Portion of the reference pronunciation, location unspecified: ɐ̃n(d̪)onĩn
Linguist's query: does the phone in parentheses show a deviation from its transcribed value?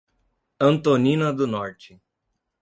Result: yes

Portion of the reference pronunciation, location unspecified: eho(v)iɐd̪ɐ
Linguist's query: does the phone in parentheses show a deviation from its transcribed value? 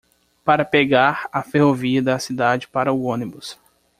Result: no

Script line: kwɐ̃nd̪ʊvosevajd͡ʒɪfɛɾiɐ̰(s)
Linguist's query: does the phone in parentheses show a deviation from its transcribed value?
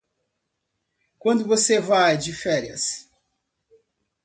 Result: no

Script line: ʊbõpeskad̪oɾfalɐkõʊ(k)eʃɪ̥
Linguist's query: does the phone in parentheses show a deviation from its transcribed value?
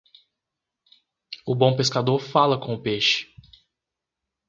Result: yes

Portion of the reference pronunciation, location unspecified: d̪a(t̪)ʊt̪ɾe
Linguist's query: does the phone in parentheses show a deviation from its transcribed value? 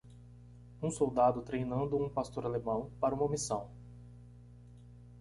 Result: yes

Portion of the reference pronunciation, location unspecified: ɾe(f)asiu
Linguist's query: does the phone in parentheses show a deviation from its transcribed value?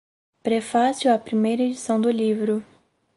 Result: no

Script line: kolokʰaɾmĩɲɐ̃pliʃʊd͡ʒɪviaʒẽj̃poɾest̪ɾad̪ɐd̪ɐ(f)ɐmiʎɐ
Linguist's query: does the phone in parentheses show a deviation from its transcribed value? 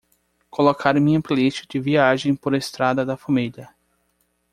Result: no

